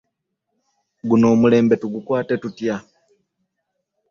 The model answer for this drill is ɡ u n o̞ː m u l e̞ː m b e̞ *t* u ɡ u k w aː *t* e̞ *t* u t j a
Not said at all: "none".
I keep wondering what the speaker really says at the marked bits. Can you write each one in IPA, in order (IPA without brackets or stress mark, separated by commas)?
t, t, t